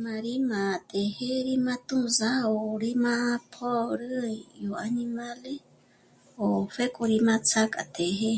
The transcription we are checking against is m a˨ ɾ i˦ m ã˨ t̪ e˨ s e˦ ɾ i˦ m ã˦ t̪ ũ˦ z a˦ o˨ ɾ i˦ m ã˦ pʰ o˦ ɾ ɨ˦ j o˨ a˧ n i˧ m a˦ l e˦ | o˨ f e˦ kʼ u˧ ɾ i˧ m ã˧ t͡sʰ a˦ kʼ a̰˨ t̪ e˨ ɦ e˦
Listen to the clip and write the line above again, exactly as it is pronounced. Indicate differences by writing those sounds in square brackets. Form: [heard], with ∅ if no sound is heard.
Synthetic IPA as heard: m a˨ ɾ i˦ m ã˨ t̪ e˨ [h] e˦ ɾ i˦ m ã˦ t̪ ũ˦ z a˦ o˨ ɾ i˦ m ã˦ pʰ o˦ ɾ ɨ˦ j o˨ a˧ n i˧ m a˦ l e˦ | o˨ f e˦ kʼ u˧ ɾ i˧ m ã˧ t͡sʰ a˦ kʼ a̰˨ t̪ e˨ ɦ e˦